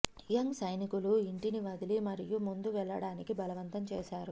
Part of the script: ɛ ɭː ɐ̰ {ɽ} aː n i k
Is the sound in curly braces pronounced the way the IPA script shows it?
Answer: yes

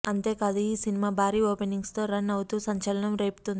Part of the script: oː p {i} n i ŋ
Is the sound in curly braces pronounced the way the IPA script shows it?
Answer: no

